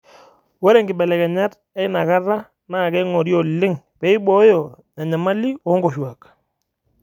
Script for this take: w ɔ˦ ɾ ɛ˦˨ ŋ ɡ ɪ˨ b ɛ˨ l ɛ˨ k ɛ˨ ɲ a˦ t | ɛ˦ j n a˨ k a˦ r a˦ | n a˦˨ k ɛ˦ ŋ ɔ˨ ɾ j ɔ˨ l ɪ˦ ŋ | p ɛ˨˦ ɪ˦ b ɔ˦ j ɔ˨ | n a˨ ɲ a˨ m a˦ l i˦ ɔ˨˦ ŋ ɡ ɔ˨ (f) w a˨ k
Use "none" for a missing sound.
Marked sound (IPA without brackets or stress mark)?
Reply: ʃ